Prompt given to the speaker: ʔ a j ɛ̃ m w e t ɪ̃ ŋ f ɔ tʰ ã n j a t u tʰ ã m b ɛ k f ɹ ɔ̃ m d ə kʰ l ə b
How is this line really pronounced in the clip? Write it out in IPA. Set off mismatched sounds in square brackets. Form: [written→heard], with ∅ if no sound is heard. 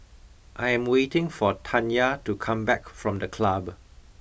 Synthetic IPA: ʔ a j ɛ̃ m w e t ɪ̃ ŋ f ɔ tʰ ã n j a t u [tʰ→kʰ] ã m b ɛ k f ɹ ɔ̃ m d ə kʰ l [ə→a] b

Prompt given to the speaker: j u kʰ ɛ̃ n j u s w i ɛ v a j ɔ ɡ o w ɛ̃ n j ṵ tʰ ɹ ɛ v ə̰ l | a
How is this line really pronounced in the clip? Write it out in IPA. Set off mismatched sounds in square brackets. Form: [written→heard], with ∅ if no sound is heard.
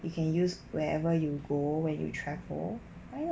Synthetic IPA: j u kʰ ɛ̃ n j u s w [i→ɛ] ɛ v [a→ə] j [ɔ→u] ɡ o w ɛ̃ n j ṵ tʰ ɹ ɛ v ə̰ l | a

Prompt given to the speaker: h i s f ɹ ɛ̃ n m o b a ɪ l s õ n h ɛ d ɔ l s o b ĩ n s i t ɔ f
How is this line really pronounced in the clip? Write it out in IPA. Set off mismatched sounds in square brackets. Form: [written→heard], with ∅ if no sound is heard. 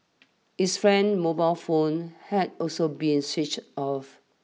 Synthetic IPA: h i s f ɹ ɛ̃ n m o b a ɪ l [s→f] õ n h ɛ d ɔ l s o b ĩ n s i [t→t͡ʃ] ɔ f

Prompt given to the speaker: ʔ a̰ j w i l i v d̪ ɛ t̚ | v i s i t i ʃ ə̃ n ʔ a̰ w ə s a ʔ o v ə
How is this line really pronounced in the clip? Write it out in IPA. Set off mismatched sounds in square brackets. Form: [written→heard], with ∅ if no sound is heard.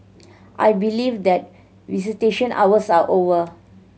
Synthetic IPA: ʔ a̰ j [w→b] i l i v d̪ ɛ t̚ | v i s i t [i→e] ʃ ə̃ n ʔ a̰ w ə s a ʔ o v ə

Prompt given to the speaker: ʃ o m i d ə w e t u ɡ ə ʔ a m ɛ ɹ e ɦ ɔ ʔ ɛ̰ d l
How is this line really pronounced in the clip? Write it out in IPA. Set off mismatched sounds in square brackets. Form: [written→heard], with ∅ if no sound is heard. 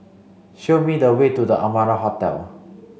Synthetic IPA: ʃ o m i d ə w e t u [ɡ→d] ə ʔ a m [ɛ→a] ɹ [e→a] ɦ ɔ [ʔ→t] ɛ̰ [d→∅] l

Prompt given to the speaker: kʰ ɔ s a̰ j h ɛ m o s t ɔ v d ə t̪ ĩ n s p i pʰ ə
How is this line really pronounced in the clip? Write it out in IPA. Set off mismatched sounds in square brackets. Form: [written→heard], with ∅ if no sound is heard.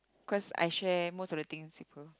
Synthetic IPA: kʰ ɔ s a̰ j [h→ʃ] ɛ m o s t ɔ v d ə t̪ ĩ [n→ŋ] s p i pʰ ə

